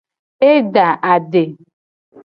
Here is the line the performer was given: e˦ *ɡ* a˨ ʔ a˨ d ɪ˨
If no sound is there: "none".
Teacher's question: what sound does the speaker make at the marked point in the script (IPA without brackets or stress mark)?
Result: d